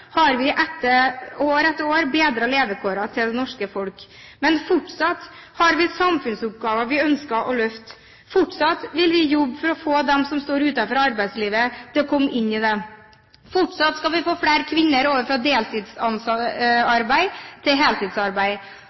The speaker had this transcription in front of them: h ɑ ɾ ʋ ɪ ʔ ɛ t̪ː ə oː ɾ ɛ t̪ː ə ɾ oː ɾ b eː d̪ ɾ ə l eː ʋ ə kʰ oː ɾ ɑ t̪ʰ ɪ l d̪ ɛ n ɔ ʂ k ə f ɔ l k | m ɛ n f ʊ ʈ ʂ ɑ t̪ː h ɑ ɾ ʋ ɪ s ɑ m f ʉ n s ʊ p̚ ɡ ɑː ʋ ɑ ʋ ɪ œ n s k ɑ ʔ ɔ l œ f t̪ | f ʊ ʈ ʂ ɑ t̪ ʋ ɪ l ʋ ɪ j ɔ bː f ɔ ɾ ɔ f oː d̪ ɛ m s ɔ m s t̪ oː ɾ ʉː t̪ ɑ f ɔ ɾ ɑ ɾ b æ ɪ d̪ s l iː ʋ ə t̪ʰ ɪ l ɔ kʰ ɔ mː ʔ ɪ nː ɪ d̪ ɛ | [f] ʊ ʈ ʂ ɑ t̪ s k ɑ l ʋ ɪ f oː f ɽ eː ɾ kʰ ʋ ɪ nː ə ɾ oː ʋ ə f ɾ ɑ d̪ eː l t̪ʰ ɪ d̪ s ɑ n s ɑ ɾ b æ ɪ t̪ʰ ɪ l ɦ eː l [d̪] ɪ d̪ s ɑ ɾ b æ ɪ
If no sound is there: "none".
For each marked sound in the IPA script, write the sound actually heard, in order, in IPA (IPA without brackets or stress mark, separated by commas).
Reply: f, t̪